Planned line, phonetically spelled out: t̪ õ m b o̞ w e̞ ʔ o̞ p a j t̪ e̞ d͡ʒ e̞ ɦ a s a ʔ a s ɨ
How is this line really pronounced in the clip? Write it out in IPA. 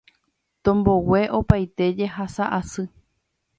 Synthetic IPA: t̪ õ m b o̞ w e̞ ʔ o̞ p a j t̪ e̞ d͡ʒ e̞ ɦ a s a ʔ a s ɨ